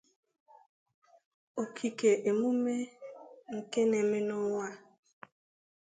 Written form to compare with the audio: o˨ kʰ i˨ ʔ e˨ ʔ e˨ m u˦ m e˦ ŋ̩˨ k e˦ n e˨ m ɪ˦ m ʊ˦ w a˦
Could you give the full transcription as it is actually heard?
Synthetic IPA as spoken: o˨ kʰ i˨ k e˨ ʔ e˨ m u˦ m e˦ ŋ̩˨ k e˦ n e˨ m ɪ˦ n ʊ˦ w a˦